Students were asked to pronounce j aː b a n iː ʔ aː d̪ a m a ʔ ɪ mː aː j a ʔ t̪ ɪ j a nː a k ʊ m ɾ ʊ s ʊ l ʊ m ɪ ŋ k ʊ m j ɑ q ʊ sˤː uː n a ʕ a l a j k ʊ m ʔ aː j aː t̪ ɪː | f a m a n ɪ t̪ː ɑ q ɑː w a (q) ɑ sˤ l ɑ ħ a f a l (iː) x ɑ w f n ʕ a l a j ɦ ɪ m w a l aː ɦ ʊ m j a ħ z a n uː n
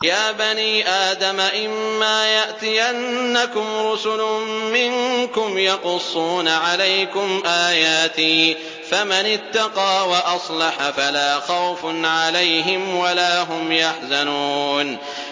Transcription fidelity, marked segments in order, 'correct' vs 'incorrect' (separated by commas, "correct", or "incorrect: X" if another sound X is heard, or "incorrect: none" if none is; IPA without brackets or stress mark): incorrect: ʔ, incorrect: aː